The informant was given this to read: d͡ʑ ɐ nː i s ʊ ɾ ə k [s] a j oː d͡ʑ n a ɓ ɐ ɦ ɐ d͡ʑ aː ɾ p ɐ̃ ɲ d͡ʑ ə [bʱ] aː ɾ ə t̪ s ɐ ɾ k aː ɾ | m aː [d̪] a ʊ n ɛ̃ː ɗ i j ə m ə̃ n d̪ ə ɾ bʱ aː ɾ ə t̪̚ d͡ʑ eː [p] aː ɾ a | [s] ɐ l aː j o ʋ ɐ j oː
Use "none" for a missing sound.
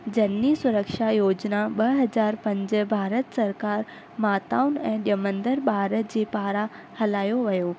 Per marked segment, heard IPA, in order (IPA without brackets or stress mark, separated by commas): ʃ, bʱ, t̪, p, h